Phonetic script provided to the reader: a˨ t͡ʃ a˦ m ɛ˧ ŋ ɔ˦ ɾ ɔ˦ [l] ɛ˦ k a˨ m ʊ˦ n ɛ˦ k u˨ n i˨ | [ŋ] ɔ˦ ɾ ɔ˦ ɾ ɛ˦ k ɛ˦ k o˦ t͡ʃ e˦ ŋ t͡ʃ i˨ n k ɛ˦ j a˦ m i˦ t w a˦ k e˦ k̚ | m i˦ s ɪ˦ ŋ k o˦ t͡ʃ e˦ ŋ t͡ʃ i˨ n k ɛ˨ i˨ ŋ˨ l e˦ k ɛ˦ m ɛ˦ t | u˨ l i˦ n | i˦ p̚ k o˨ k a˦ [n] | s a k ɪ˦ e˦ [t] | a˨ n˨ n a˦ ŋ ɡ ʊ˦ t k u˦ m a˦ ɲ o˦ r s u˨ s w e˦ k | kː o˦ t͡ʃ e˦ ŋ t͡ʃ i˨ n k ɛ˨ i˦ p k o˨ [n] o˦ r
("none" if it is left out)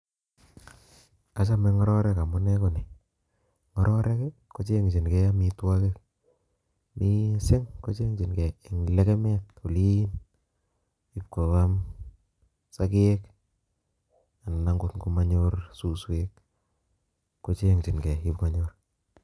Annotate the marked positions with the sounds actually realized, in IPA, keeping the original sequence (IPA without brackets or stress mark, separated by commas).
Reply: ɾ, ŋ, m, k, ɲ